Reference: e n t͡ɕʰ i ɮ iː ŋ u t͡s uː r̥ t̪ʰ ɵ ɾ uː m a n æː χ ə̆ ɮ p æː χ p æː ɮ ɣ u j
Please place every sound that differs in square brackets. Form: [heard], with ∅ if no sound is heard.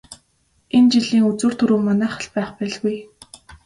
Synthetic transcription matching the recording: e n [t͡ɕ] i ɮ iː ŋ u t͡s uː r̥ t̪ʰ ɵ ɾ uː m a n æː χ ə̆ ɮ p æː χ p æː ɮ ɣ u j